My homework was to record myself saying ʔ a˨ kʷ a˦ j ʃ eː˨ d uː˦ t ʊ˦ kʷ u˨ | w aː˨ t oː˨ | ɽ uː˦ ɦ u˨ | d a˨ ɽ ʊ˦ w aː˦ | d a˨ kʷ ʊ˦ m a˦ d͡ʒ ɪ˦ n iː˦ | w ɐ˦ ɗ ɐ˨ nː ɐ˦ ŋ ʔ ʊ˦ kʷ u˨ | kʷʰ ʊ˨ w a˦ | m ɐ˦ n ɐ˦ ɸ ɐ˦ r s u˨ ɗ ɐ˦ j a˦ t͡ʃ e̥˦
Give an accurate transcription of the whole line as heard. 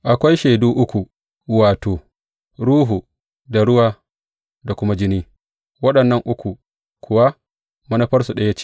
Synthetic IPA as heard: ʔ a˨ kʷ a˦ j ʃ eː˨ d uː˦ ʔ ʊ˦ kʷ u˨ | w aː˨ t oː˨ | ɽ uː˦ ɦ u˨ | d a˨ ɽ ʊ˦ w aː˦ | d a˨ kʷ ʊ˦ m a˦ d͡ʒ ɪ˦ n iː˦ | w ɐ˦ ɗ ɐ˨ nː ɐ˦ ŋ ʔ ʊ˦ kʷ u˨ | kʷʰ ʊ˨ w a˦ | m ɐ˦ n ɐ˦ ɸ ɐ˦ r s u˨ ɗ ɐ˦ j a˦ t͡ʃ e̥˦